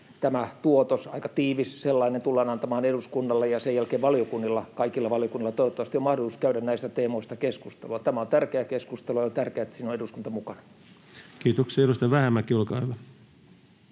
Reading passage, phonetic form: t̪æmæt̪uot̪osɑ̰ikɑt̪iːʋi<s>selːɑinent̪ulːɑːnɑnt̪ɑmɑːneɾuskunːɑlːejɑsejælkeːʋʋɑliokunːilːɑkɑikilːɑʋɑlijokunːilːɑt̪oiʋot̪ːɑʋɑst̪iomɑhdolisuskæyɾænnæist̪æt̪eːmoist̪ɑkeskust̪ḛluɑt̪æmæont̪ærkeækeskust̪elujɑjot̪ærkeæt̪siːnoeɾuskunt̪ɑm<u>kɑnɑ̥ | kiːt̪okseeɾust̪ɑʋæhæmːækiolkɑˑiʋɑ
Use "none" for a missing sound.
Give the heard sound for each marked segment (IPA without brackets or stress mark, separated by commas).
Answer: s, u